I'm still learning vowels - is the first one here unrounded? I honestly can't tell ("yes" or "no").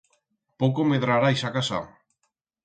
no